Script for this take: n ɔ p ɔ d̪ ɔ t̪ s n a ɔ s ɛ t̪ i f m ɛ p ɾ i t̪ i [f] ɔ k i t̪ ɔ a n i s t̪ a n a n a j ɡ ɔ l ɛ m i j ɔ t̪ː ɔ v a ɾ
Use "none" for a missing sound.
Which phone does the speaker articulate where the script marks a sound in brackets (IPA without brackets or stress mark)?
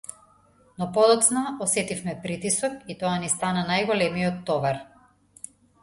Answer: s